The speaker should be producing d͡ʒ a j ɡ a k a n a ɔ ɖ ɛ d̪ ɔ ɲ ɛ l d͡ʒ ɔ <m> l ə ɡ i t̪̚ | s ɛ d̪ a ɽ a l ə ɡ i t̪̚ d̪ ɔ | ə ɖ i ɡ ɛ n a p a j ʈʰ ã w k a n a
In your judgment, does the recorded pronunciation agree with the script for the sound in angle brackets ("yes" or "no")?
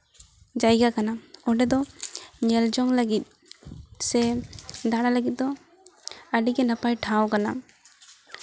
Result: no